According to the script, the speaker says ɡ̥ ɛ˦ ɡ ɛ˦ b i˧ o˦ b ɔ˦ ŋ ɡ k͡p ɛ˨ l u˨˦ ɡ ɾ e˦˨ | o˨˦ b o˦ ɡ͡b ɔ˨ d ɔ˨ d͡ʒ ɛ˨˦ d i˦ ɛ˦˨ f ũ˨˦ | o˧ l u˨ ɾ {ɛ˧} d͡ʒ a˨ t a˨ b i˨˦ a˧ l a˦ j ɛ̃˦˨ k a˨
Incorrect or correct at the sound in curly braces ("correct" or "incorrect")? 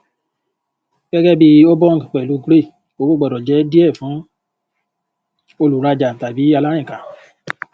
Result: incorrect